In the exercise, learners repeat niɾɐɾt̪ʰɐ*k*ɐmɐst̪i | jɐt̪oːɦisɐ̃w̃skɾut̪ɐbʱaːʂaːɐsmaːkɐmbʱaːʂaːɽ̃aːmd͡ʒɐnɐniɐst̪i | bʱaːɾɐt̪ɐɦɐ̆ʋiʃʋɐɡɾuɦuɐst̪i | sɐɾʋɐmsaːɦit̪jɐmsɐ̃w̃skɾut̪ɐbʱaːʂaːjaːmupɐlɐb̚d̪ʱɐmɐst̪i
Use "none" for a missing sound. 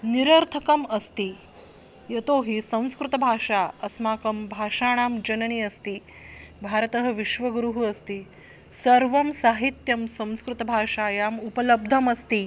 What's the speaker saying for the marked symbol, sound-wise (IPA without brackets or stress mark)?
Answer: k